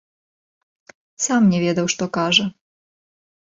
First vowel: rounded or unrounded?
unrounded